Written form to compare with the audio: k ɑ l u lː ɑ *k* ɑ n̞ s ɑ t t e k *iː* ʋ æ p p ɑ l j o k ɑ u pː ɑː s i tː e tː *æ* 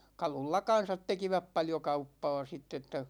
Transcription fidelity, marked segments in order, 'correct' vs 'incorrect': correct, incorrect: i, correct

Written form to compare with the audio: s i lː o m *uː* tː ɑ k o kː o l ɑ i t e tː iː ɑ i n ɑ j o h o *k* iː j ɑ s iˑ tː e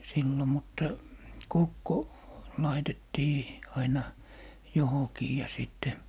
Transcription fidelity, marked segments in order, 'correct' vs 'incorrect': incorrect: u, correct

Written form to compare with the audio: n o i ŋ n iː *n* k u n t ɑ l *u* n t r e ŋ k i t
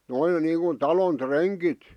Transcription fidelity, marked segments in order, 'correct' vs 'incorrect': incorrect: ŋ, incorrect: o

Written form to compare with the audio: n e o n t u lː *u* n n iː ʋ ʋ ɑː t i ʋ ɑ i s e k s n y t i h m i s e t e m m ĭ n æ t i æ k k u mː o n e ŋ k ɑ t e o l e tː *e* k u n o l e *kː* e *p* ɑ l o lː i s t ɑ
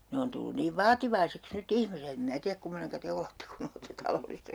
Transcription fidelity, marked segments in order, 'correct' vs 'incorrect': correct, correct, incorrect: tː, incorrect: t

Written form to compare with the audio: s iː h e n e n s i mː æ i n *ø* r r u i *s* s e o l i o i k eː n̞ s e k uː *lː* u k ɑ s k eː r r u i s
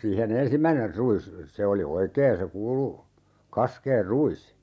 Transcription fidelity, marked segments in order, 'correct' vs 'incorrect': incorrect: e, correct, incorrect: l

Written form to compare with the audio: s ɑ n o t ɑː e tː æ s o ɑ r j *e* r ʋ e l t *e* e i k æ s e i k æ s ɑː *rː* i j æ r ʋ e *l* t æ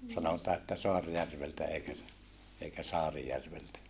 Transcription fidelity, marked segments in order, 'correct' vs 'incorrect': incorrect: æ, incorrect: æ, incorrect: r, correct

